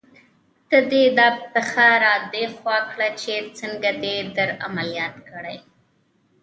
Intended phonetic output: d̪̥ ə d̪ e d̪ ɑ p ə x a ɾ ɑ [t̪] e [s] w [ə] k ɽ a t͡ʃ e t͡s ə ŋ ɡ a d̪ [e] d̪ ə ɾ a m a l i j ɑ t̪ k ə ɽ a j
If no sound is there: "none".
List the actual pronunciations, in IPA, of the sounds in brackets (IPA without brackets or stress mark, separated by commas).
d̪, x, ɑ, e